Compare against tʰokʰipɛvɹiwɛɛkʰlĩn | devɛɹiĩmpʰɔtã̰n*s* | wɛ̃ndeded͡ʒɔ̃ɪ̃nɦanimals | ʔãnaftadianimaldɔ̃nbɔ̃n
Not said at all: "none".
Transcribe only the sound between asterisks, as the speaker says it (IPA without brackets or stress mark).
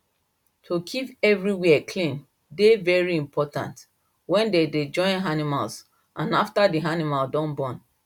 t